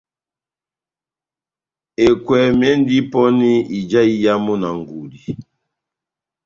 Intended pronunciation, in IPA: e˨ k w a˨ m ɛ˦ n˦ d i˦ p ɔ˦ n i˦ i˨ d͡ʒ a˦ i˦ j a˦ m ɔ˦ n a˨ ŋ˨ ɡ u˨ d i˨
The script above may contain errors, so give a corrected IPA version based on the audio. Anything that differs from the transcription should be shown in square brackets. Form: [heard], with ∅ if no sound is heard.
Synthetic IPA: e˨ k w [ɛ˨] m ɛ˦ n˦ d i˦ p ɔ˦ n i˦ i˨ d͡ʒ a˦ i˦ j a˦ m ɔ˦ n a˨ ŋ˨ ɡ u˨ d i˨